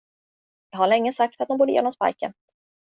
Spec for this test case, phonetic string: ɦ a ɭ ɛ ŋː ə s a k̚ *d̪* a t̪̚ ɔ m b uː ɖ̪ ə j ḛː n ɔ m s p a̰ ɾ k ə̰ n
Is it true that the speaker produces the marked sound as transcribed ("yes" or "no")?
no